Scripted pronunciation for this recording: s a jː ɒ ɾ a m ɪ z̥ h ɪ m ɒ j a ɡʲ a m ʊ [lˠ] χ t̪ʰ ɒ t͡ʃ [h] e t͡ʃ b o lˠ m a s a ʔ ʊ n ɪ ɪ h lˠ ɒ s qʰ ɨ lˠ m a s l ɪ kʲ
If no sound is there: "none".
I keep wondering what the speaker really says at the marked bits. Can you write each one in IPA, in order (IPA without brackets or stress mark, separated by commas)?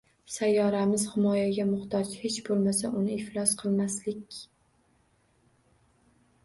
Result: none, h